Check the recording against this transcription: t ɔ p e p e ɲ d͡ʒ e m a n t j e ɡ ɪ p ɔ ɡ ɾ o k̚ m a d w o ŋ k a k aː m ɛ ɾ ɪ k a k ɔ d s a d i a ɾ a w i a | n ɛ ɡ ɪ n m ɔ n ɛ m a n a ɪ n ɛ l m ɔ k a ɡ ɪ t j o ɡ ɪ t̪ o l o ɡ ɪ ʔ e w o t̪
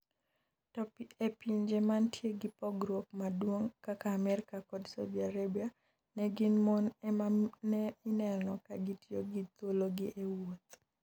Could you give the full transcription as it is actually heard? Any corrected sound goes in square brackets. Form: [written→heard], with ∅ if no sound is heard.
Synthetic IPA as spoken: t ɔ p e p [e→i] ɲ d͡ʒ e m a n t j e ɡ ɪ p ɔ ɡ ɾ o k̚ m a d w o ŋ k a k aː m ɛ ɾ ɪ k a k ɔ d s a d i a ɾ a [w→b] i a | n ɛ ɡ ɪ n m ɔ n ɛ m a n [a→ɛ] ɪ n ɛ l [m→n] ɔ k a ɡ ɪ t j o ɡ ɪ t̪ o l o ɡ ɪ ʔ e w o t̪